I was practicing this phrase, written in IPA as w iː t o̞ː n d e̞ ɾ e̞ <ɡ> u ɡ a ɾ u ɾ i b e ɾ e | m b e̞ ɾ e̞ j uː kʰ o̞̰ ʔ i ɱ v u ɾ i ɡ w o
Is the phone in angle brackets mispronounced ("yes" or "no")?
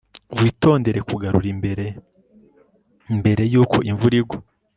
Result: yes